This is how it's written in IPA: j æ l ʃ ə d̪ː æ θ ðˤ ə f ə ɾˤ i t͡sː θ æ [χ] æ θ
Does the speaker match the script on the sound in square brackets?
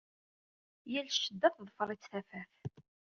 no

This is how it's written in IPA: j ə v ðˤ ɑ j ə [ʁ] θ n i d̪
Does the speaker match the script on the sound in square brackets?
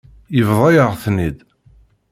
yes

